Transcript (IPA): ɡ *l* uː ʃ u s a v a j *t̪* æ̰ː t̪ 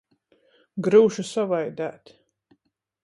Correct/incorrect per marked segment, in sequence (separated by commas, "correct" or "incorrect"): incorrect, incorrect